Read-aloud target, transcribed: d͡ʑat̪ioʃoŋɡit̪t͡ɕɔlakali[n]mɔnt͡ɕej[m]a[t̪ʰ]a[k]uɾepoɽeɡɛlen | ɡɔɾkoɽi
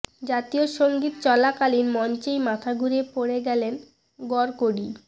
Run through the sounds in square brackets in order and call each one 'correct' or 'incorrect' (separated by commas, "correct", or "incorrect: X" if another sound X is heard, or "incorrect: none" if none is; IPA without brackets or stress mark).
correct, correct, correct, incorrect: ɡ